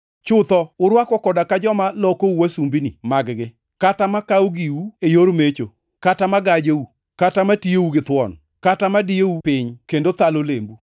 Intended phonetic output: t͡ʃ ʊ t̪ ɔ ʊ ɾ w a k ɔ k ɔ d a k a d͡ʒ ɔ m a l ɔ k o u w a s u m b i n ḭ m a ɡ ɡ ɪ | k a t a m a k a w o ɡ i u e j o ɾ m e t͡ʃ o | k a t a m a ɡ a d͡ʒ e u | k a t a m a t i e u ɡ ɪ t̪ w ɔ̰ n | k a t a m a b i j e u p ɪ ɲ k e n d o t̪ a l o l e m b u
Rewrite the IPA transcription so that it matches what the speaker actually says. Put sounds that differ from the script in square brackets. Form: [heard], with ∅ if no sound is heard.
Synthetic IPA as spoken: t͡ʃ ʊ t̪ ɔ ʊ ɾ w a k ɔ k ɔ d a k a d͡ʒ ɔ m a l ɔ k o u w a s u m b i n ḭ m a ɡ ɡ ɪ | k a t a m a k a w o ɡ i u e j o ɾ m e t͡ʃ o | k a t a m a ɡ a d͡ʒ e u | k a t a m a t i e u ɡ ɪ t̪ w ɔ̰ n | k a t a m a [d] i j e u p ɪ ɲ k e n d o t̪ a l o l e m b u